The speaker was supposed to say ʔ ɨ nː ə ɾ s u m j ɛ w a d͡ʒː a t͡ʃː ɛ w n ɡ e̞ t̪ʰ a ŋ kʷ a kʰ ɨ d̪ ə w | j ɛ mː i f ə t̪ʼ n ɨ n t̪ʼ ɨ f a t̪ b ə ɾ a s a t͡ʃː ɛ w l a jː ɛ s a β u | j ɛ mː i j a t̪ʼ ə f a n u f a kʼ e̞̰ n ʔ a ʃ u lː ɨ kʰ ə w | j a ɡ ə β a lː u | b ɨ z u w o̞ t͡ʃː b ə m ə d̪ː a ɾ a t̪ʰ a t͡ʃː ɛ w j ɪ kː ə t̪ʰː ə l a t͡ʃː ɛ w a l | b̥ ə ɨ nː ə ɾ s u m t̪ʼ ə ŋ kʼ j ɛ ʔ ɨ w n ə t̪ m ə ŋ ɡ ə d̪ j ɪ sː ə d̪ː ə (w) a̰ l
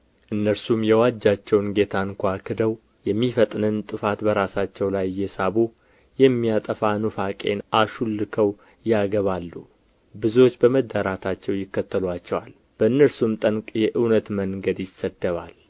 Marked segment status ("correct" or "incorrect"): incorrect